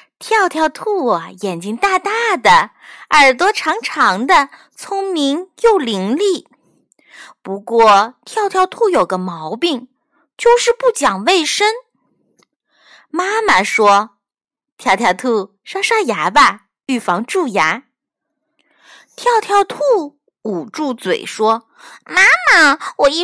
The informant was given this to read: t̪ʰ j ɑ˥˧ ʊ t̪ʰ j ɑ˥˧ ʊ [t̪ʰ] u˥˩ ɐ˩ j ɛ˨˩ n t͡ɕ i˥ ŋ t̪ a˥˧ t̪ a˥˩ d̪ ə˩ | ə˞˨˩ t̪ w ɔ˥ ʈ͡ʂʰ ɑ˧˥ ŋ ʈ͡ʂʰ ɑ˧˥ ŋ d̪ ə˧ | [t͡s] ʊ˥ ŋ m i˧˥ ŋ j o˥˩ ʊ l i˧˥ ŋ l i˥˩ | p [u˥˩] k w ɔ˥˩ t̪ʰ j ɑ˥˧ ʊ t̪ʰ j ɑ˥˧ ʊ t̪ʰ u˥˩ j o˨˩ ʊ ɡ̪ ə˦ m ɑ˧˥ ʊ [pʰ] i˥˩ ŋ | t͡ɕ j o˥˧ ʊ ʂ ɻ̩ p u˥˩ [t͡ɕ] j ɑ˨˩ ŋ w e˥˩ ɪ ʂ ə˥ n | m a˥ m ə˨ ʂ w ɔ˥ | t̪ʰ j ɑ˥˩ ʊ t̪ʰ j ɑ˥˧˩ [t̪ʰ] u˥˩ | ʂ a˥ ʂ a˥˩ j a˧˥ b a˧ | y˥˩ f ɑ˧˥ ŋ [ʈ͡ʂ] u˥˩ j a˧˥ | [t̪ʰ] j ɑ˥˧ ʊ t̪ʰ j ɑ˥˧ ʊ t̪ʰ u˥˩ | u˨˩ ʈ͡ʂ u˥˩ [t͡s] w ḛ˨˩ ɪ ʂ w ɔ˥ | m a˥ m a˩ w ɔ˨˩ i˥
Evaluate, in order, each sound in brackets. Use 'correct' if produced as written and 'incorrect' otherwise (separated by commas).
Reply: correct, incorrect, incorrect, incorrect, correct, correct, correct, correct, correct